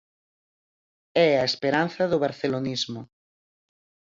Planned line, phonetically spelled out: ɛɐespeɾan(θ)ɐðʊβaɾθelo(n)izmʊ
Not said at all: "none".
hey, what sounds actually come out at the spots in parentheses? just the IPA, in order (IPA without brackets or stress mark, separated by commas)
θ, n